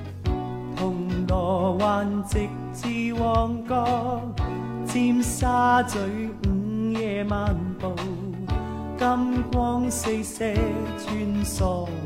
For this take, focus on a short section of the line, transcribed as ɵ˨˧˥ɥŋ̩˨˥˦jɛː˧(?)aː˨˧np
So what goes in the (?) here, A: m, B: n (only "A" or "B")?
A